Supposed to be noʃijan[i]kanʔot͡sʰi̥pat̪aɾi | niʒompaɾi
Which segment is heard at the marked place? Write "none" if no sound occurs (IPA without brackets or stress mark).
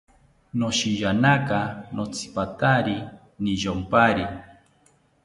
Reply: a